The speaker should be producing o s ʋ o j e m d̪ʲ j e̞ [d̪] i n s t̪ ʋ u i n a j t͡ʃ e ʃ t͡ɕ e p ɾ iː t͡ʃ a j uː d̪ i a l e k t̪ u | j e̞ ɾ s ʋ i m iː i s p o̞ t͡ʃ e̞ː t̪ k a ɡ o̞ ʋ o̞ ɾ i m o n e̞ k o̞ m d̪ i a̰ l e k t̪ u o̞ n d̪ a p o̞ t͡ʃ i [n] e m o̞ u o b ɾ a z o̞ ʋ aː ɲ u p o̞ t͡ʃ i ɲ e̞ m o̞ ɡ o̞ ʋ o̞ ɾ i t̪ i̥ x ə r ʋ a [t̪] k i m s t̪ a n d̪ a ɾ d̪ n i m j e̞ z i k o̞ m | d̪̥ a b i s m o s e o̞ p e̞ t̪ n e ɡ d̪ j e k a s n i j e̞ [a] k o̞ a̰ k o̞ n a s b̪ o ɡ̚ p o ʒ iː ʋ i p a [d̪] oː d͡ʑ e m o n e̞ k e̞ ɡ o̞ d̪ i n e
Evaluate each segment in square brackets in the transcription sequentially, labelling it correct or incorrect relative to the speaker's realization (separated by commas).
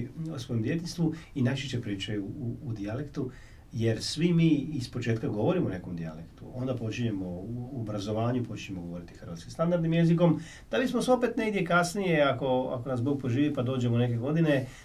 incorrect, incorrect, correct, correct, correct